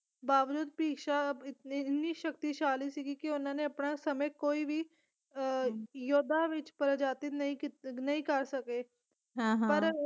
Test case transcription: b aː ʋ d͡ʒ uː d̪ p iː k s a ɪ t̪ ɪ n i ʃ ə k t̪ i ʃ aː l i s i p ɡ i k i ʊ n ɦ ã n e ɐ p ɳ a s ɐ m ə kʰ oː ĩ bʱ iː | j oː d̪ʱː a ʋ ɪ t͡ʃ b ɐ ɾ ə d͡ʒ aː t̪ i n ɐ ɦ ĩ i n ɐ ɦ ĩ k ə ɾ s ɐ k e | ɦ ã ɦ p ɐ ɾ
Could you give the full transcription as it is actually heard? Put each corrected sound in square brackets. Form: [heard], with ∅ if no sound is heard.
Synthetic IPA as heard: b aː ʋ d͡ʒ uː d̪ p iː k [ʃ] a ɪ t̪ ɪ n i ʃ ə k t̪ i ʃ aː l i s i [∅] ɡ i k i ʊ n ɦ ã n e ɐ p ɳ a s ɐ m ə [k] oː [i] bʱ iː | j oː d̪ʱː a ʋ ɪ t͡ʃ [p] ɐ ɾ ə d͡ʒ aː t̪ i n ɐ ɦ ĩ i n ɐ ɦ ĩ k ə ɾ s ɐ k e | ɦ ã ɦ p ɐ ɾ